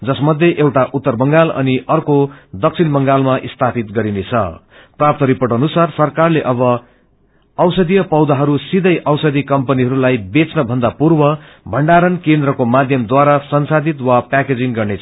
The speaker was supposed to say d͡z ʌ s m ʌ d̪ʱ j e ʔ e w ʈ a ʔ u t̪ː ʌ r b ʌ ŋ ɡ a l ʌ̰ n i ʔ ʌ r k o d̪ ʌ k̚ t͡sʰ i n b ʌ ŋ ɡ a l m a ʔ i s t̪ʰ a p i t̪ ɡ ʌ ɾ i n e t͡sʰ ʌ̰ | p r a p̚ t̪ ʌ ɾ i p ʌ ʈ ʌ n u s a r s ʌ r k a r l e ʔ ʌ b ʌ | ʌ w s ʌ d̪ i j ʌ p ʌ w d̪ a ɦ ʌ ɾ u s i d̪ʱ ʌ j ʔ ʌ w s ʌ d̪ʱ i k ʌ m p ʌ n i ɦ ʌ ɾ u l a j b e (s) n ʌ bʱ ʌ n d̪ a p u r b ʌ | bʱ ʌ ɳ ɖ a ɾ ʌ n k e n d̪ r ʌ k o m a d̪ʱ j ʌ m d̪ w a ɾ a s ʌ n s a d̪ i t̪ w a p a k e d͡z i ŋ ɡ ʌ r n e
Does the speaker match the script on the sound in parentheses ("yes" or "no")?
no